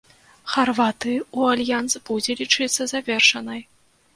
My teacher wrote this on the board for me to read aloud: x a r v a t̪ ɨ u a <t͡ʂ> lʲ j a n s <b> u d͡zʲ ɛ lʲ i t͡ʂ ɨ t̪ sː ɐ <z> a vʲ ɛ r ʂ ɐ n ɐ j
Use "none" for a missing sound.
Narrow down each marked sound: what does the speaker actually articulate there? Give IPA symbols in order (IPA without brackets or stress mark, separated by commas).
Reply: none, b, z